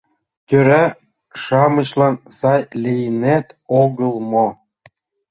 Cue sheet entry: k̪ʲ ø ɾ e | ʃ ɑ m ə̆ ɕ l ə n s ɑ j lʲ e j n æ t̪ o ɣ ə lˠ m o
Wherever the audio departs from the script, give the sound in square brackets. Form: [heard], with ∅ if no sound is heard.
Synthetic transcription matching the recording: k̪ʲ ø ɾ [æ] | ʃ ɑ m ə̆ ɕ l [ɑ] n s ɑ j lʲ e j n æ t̪ o ɣ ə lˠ m o